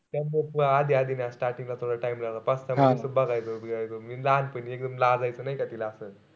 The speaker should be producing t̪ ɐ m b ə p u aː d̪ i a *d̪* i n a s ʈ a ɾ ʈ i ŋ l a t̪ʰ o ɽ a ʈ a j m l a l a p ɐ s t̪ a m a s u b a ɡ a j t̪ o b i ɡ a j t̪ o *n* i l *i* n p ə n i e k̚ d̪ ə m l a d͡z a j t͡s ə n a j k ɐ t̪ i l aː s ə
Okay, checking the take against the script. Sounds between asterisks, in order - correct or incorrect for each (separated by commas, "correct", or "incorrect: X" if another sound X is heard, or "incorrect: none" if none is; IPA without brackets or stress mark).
correct, incorrect: m, incorrect: a